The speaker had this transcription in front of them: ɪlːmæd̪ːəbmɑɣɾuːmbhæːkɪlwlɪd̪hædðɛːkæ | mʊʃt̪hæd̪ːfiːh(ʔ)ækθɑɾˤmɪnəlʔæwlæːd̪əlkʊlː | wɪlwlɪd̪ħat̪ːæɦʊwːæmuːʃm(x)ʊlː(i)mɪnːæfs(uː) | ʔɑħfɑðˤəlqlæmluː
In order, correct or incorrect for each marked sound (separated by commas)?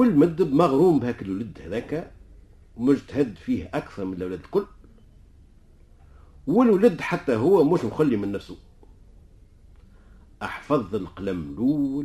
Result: correct, correct, correct, incorrect